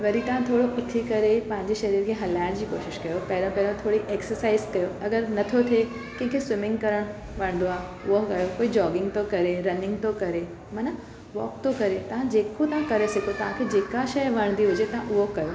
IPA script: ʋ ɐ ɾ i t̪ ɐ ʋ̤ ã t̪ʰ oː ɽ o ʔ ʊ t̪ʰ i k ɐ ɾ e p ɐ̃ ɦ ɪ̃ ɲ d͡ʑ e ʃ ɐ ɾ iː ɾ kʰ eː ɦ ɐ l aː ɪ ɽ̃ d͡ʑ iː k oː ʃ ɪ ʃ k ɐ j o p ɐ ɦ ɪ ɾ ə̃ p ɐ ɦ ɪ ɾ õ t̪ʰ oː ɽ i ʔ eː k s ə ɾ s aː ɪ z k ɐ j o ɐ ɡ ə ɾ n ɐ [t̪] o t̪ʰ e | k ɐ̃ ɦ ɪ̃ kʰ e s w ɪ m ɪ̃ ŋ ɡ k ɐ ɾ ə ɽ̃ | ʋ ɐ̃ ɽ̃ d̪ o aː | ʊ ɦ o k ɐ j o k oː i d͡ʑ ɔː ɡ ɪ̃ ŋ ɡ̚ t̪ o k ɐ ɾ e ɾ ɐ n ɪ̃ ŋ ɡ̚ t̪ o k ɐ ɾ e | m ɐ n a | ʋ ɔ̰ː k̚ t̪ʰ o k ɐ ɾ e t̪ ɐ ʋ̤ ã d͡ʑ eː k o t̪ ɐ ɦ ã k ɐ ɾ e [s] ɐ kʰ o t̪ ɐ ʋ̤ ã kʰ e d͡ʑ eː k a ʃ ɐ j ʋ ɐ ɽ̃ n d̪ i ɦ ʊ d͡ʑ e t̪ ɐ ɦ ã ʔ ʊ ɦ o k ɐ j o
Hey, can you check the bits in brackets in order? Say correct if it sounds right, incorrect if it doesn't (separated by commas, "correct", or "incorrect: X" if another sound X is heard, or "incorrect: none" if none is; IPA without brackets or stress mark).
incorrect: t̪ʰ, correct